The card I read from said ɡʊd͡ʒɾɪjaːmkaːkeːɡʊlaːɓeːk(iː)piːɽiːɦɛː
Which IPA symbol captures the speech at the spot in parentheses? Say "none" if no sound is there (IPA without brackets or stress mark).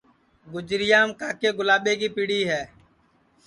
iː